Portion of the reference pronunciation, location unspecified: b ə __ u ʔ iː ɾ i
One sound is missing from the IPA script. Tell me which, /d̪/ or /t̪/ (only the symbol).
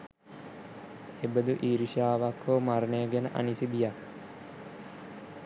d̪